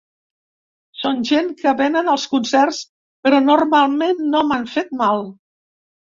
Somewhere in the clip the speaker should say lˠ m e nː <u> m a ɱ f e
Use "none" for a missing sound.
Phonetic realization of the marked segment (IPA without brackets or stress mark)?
o